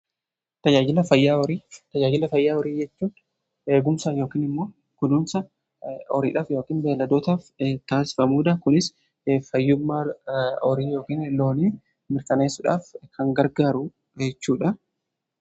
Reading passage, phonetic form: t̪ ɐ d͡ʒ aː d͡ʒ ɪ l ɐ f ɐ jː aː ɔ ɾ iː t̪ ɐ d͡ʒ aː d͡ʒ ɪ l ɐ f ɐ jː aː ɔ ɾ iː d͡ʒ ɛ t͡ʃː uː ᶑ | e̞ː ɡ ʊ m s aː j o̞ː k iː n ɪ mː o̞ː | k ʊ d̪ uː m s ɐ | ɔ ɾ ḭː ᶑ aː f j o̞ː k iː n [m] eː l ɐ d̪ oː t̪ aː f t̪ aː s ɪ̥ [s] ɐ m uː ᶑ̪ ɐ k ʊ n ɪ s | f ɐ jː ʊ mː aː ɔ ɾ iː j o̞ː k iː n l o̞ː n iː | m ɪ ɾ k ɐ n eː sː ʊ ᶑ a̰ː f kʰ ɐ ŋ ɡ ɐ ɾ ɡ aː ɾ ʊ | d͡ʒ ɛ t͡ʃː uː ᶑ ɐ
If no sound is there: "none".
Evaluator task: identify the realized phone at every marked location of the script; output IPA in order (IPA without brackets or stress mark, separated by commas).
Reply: b, f